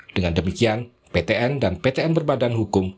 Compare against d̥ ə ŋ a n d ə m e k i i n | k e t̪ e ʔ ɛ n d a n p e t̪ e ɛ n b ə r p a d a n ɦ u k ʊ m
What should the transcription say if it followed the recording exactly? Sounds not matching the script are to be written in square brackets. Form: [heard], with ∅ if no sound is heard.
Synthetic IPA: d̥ ə ŋ a n d ə m [i] k i [a] n | [p] e t̪ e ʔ ɛ n d a n p e t̪ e ɛ n b ə r [b] a d a n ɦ u k ʊ m